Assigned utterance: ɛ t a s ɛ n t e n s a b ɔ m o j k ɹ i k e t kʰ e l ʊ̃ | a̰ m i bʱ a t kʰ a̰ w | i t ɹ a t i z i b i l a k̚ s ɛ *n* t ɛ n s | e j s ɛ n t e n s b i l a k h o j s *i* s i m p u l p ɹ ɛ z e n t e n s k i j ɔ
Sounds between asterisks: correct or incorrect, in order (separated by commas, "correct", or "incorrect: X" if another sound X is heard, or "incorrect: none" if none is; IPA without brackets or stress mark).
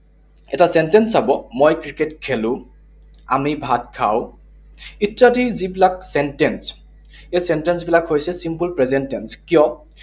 correct, incorrect: ɛ